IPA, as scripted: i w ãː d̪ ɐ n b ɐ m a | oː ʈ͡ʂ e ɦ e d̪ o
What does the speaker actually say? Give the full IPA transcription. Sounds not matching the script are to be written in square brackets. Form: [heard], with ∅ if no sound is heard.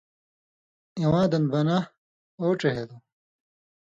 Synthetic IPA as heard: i w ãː d̪ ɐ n b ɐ [n] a | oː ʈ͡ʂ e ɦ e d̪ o